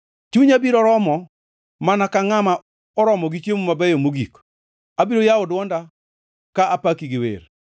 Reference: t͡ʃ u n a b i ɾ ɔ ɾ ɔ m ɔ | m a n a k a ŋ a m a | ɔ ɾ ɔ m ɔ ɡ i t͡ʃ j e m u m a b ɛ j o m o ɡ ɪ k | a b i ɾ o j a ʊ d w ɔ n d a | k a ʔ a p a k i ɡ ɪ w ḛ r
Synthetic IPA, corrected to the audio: t͡ʃ u ɲ a b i ɾ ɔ ɾ ɔ m ɔ | m a n a k a ŋ a m a | ɔ ɾ ɔ m ɔ ɡ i t͡ʃ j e m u m a b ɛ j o m o ɡ i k | a b i ɾ o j a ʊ d w ɔ n d a | k a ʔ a p a k i ɡ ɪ w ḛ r